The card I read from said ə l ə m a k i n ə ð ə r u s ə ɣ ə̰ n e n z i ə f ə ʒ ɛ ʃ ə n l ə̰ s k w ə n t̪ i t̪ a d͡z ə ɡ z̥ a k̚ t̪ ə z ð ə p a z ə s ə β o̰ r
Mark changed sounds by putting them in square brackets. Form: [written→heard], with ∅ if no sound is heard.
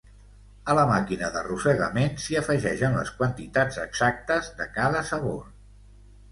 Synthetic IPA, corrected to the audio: ə l ə m a k i n ə ð ə r u s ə ɣ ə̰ [n→m] e n [z→s] i ə f ə ʒ ɛ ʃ ə n l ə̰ s k w ə n t̪ i t̪ a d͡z ə ɡ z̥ a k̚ t̪ ə z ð ə [p→k] a [z→ð] ə s ə β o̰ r

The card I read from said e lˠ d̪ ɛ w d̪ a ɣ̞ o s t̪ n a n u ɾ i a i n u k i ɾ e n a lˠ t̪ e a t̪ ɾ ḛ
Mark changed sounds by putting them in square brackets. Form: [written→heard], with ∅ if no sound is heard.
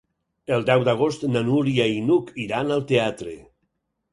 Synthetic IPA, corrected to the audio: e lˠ d̪ ɛ w d̪ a ɣ̞ o s t̪ n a n u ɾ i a i n u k i ɾ [e→a] n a lˠ t̪ e a t̪ ɾ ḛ

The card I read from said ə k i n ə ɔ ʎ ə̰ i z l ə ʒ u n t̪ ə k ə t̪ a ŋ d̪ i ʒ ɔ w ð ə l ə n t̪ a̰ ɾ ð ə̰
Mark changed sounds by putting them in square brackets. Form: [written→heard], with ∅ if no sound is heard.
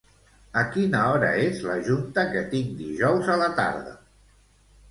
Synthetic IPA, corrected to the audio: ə k i n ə ɔ [ʎ→ɾ] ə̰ [i→e] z l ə ʒ u n t̪ ə k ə t̪ [a→i] ŋ d̪ i ʒ ɔ w [ð→z] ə l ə [n→∅] t̪ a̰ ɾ ð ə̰

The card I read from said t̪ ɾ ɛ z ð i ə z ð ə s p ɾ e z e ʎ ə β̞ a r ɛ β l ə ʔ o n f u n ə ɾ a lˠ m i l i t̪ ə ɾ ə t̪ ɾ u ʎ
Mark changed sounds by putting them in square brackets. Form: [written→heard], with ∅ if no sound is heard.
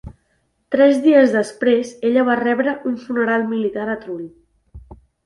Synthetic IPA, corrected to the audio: t̪ ɾ ɛ z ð i ə z ð ə s p ɾ e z e ʎ ə β̞ a r ɛ β [l→ɾ] ə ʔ [o→u] n f u n ə ɾ a lˠ m i l i t̪ [ə→a] ɾ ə t̪ ɾ u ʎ

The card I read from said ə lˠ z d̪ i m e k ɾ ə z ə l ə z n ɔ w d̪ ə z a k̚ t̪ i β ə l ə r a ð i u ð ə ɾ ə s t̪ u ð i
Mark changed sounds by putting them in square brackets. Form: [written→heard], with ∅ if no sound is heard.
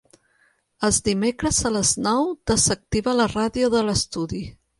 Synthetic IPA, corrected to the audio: ə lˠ z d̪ i m e k ɾ ə z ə l ə z n ɔ w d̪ ə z [a→ə] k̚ t̪ i β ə l ə r a ð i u ð ə [ɾ→l] ə s t̪ u ð i

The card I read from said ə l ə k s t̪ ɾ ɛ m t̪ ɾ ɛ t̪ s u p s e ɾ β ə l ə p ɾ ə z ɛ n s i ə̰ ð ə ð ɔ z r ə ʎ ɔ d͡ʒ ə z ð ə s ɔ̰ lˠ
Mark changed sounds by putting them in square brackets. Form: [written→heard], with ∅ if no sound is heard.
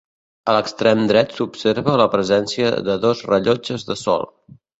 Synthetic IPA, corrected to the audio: ə l ə k s t̪ ɾ ɛ m [t̪→d̪] ɾ ɛ t̪ s u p s e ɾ β ə l ə p ɾ ə z ɛ n s i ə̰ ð ə ð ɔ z r ə ʎ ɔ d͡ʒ ə z ð ə s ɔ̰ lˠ

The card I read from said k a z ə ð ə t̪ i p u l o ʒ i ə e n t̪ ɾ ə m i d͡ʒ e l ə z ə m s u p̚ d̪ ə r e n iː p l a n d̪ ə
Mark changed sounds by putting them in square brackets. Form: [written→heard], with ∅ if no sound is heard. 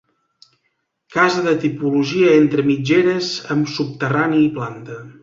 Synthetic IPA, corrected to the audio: k a z ə ð ə t̪ i p u l [o→u] ʒ i ə e n t̪ ɾ ə m i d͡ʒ e [l→ɾ] ə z ə m s u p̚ [d̪→t̪] ə r [e→a] n iː p l a n [d̪→t̪] ə

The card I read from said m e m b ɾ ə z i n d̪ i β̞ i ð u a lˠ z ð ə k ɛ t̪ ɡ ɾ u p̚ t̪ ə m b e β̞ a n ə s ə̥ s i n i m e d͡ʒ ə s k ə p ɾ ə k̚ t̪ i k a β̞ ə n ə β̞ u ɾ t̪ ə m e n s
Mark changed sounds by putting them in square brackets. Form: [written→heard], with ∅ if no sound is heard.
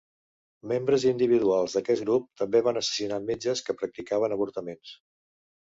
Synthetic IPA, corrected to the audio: m e m b ɾ ə z i n d̪ i β̞ i ð u a lˠ z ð ə k ɛ t̪ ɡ ɾ u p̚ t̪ ə m b e β̞ a n ə s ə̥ s i n [i→a] m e d͡ʒ ə s k ə p ɾ ə k̚ t̪ i k a β̞ ə n ə β̞ u ɾ t̪ ə m e n s

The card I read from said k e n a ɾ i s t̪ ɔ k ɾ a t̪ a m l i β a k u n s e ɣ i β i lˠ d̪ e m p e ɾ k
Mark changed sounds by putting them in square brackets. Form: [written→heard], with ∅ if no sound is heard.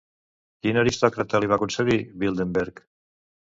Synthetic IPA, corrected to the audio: k [e→i] n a ɾ i s t̪ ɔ k ɾ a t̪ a [m→∅] l i β a k u n s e ɣ i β i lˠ d̪ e m [p→b] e ɾ k

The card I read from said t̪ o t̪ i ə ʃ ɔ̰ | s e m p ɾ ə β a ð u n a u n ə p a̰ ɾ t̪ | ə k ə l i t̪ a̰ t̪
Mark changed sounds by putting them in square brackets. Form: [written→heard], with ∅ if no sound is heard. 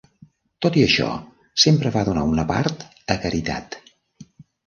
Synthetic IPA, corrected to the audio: t̪ o t̪ i ə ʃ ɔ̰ | s e m p ɾ ə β a ð u n a u n ə p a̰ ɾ t̪ | ə k ə [l→ɾ] i t̪ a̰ t̪

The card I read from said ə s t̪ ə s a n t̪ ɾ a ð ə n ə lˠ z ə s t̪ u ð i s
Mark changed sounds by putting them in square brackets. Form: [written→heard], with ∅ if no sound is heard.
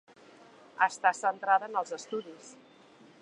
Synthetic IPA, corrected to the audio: ə s t̪ [ə→a] s [a→ə] n t̪ ɾ a ð ə n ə lˠ z ə s t̪ u ð i s

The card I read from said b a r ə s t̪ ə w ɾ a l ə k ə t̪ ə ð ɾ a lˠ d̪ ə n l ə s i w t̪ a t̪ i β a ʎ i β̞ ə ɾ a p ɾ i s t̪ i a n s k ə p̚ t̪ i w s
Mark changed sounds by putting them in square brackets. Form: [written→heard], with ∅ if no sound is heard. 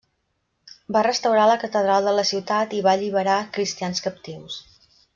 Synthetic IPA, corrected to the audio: b a r ə s t̪ ə w ɾ a l ə k ə t̪ ə ð ɾ a lˠ d̪ ə [n→∅] l ə s i w t̪ a t̪ i β a ʎ i β̞ ə ɾ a [p→k] ɾ i s t̪ i a n s k ə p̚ t̪ i w s

